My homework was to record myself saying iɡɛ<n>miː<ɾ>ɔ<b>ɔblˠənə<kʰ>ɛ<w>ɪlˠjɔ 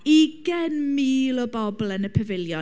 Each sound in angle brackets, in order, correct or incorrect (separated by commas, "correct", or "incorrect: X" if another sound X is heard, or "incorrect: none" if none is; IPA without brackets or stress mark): correct, incorrect: l, correct, incorrect: pʰ, incorrect: v